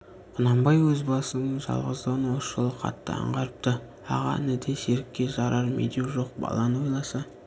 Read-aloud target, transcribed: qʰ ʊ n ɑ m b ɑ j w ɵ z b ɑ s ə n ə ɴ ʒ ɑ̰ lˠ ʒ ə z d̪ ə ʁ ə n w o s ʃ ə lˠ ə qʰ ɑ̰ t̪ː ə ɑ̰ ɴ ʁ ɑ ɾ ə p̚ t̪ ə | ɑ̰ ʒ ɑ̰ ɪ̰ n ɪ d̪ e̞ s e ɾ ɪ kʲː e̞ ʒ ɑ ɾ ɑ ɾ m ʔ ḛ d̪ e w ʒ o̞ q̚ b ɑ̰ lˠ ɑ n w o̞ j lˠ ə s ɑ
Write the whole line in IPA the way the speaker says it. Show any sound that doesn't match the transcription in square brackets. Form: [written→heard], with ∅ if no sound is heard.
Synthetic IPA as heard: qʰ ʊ n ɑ m b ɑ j w ɵ z b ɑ s ə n ə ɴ ʒ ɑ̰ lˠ [ʒ→ʁ] ə z d̪ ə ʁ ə n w o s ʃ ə lˠ ə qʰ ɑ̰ t̪ː ə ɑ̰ ɴ ʁ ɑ ɾ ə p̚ t̪ ə | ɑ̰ [ʒ→ʁ] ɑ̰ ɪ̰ n ɪ d̪ e̞ s e ɾ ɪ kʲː e̞ ʒ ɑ ɾ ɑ ɾ m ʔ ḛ d̪ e w ʒ o̞ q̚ b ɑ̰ lˠ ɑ n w o̞ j lˠ [ə→ɑ] s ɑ